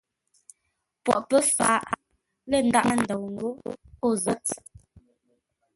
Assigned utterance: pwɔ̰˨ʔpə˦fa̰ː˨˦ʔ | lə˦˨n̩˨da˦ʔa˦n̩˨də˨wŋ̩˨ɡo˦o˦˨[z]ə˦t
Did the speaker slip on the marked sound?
no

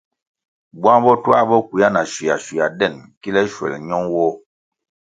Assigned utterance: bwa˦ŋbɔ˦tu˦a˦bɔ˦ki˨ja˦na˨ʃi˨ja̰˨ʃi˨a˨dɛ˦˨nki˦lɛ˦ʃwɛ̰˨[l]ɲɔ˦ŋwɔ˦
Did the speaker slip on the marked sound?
no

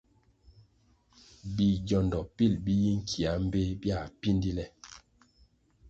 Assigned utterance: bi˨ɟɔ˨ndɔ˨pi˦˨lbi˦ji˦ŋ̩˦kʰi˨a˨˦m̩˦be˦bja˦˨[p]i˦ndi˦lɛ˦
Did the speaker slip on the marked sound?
no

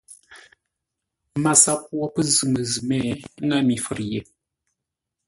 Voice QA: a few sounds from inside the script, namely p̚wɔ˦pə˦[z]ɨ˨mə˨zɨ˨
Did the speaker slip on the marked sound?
no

